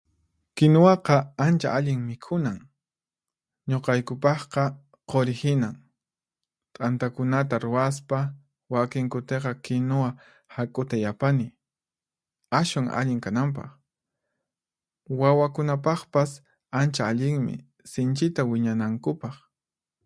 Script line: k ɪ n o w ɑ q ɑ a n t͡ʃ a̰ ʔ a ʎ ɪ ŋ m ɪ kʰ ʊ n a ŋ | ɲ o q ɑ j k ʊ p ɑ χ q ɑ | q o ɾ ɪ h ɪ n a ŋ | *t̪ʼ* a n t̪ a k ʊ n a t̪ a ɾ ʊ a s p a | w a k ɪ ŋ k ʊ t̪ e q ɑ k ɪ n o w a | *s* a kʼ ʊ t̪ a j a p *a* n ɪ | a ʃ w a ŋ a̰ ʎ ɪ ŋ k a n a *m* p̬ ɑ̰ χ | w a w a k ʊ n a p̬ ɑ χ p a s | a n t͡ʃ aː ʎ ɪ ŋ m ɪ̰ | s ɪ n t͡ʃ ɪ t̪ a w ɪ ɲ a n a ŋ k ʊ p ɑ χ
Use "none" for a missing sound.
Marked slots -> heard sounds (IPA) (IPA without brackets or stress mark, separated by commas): t̪ʼ, h, a, m